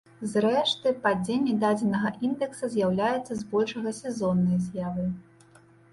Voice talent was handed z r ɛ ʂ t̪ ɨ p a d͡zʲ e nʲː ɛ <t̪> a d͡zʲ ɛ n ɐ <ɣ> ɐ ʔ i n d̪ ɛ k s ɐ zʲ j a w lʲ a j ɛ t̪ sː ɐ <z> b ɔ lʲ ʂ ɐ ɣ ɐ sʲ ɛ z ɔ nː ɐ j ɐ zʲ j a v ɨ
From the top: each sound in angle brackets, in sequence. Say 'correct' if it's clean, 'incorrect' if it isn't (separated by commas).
incorrect, correct, correct